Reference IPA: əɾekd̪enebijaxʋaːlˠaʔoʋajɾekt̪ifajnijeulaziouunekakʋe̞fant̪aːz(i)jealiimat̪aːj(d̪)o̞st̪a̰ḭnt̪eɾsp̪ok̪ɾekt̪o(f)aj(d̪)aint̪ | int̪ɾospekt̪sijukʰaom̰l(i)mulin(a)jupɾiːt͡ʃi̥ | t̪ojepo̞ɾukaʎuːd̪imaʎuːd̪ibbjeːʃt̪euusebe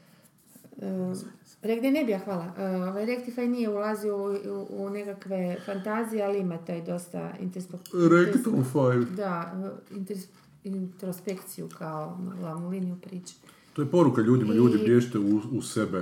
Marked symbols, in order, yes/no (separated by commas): yes, yes, yes, yes, no, no